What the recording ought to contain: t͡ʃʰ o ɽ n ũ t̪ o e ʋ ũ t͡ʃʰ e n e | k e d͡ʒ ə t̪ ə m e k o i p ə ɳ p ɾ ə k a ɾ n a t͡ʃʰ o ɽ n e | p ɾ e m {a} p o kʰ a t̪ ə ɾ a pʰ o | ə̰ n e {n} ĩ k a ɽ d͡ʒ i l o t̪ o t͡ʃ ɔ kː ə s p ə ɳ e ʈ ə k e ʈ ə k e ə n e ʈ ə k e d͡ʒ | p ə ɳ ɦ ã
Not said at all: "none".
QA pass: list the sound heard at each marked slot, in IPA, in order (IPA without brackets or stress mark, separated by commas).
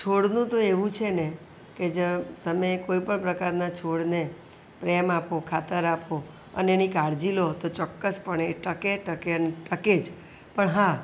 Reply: a, n